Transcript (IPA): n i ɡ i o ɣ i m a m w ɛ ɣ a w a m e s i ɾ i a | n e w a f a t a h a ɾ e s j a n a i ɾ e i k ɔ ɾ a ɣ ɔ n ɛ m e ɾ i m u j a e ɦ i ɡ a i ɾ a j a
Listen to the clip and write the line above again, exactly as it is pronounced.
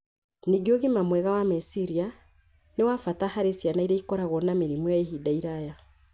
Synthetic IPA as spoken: n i ɡ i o ɣ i m a m w ɛ ɣ a w a m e s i ɾ i a | n e w a f a t a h a ɾ e s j a n a i ɾ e i k ɔ ɾ a ɣ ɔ n a m e ɾ i m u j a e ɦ i d a i ɾ a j a